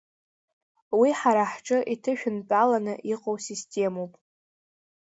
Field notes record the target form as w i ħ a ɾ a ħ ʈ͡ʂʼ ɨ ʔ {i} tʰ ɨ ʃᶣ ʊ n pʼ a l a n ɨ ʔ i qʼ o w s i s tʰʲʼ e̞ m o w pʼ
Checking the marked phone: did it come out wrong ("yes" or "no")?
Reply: no